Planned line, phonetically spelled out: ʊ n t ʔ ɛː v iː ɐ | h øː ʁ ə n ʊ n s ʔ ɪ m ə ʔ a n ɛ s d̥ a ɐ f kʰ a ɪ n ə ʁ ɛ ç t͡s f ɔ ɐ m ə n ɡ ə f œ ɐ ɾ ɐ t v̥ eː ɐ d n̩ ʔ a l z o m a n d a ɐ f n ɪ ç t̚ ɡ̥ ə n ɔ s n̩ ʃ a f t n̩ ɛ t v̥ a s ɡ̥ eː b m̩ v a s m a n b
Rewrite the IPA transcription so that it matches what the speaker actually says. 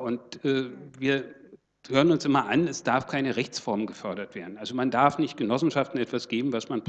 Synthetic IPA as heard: ʊ n t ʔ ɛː v iː ɐ | h øː ʁ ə n ʊ n s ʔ ɪ m ɐ ʔ a n ɛ s d̥ a ɐ f kʰ a ɪ n ə ʁ ɛ ç t͡s f ɔ ɐ m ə n ɡ ə f œ ɐ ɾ ɐ t v̥ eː ɐ d n̩ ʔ a l z o m a n d a ɐ f n ɪ ç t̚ ɡ̥ ə n ɔ s n̩ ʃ a f t n̩ ɛ t v̥ a s ɡ̥ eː b m̩ v a s m a n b